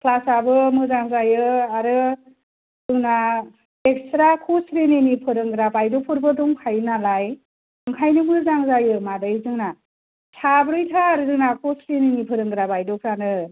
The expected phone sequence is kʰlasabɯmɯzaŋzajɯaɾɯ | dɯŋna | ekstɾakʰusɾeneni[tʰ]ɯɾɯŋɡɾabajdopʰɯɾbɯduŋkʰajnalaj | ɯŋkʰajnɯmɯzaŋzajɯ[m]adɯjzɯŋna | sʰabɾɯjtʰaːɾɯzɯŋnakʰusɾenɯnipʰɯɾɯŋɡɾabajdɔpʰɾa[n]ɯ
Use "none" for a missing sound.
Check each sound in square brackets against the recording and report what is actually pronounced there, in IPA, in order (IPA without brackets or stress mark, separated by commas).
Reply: pʰ, m, n